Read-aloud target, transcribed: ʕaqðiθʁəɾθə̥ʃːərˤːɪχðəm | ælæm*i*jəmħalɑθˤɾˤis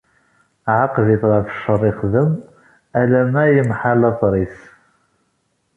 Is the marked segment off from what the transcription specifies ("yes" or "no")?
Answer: yes